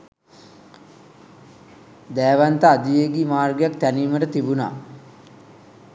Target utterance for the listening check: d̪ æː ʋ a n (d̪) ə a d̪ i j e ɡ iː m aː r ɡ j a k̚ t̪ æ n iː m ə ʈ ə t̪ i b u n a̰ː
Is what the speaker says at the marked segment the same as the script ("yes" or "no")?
no